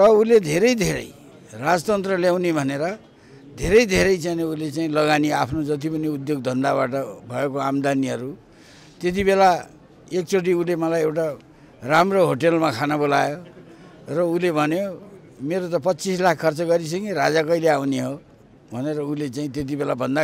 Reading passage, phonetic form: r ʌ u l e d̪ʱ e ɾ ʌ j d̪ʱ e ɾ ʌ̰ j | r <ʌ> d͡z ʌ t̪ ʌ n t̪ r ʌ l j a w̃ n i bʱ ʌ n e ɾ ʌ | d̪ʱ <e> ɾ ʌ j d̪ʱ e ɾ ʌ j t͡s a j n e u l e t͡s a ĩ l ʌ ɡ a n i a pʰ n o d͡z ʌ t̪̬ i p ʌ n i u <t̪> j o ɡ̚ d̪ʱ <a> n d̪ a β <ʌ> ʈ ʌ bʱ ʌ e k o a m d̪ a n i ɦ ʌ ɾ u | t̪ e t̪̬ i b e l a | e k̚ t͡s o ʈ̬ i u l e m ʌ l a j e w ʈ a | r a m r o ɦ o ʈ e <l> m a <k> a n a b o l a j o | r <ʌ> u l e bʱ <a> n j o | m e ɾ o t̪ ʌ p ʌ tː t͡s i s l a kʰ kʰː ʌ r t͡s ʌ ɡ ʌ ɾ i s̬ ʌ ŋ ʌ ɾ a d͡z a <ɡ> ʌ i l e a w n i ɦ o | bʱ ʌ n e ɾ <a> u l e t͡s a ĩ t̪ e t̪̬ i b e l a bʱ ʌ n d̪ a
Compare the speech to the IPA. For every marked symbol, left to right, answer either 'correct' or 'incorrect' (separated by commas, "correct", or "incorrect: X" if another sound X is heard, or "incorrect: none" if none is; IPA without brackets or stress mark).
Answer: incorrect: a, correct, incorrect: d̪, incorrect: ʌ, incorrect: a, correct, incorrect: kʰ, correct, incorrect: ʌ, incorrect: k, incorrect: ʌ